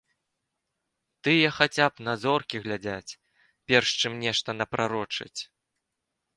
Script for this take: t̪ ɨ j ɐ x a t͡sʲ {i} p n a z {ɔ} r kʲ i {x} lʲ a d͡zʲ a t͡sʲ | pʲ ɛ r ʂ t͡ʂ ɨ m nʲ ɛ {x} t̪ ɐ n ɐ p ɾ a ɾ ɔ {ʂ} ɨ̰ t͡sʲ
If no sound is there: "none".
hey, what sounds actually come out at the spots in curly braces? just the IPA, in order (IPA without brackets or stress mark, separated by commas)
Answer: a, ɔ, ɣ, ʂ, t͡ʂ